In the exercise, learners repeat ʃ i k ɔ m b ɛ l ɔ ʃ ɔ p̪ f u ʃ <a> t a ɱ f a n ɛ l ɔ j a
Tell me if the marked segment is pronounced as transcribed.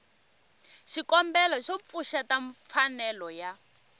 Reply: yes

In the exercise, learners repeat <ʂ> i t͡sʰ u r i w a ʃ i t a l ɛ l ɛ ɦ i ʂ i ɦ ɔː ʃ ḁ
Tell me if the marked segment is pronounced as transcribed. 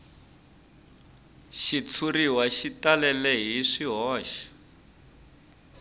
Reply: no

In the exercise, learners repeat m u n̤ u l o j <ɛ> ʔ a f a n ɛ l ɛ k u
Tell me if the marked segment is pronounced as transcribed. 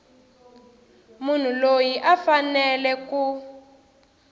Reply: no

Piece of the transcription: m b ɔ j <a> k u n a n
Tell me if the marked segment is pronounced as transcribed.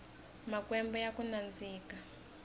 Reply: yes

